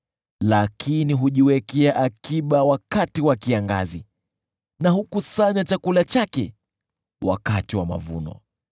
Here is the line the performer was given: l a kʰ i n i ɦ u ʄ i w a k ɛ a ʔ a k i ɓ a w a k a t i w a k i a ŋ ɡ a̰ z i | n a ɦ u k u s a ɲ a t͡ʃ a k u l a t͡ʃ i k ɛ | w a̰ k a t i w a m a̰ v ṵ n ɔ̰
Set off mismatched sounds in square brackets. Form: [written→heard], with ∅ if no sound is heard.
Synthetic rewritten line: l a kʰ i n i ɦ u ʄ i w [a→ɛ] k ɛ a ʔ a k i ɓ a w a k a t i w a k i a ŋ ɡ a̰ z i | n a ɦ u k u s a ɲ a t͡ʃ a k u l a t͡ʃ [i→a] k ɛ | w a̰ k a t i w a m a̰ v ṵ n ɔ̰